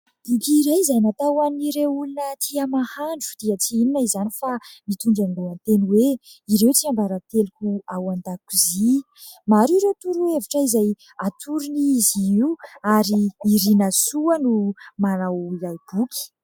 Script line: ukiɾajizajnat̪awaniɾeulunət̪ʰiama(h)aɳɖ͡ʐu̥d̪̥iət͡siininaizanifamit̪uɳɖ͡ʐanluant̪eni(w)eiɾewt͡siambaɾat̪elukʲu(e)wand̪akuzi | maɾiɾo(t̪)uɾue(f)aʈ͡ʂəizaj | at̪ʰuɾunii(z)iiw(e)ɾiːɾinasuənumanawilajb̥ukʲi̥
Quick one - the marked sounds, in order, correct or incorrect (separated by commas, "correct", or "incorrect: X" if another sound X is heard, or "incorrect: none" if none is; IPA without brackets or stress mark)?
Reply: correct, correct, incorrect: a, correct, incorrect: v, correct, incorrect: a